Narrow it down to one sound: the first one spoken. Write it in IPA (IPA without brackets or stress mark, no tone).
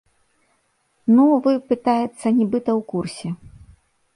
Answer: n